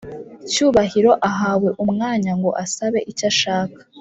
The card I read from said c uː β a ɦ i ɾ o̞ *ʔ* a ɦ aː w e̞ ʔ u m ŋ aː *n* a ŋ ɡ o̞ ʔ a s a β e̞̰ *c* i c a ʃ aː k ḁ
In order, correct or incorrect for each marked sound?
correct, incorrect: ɲ, incorrect: ʔ

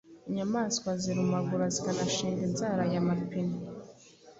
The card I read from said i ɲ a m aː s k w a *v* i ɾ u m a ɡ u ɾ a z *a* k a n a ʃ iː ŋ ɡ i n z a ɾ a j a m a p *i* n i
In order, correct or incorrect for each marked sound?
incorrect: z, incorrect: i, correct

